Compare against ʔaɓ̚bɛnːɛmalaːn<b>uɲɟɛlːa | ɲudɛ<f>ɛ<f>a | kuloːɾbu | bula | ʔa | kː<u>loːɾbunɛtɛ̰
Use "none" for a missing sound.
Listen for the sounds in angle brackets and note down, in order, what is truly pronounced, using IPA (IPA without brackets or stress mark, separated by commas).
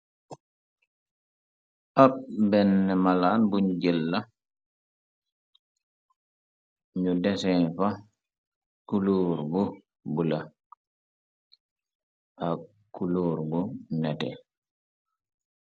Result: b, s, f, u